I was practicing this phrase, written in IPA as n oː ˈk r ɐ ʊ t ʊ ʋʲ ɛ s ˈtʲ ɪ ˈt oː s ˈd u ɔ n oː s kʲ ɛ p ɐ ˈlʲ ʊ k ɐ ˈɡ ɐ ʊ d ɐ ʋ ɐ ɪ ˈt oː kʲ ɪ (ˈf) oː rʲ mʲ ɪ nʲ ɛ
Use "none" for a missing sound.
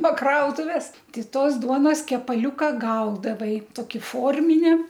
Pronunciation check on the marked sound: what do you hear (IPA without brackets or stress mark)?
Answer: f